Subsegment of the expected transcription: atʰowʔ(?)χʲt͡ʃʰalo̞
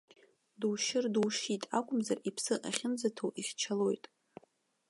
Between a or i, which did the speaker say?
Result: i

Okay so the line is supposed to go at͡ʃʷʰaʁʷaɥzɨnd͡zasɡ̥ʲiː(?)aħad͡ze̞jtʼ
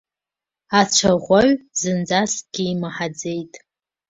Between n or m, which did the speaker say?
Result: m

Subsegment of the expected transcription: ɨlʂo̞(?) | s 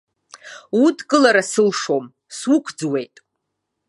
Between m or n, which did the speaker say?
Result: m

